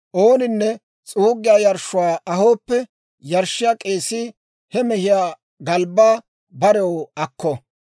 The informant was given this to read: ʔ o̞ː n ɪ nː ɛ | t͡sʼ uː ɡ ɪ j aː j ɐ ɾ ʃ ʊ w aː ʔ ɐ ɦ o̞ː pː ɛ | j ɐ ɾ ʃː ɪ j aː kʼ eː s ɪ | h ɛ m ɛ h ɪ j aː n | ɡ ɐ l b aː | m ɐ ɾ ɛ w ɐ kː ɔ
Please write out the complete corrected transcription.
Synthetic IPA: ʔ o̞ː n ɪ nː ɛ | t͡sʼ uː ɡ ɪ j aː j ɐ ɾ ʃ ʊ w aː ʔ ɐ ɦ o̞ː pː ɛ | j ɐ ɾ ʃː ɪ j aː kʼ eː s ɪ | h ɛ m ɛ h ɪ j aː | ɡ ɐ l b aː | b ɐ ɾ ɛ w ɐ kː ɔ